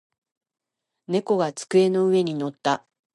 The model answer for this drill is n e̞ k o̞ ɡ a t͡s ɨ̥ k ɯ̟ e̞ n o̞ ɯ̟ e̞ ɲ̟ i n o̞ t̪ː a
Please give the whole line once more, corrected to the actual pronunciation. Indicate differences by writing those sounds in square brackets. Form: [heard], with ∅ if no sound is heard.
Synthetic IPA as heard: n e̞ k o̞ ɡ a t͡s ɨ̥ k ɯ̟ e̞ n o̞ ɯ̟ e̞ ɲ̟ i n o̞ t̪ː a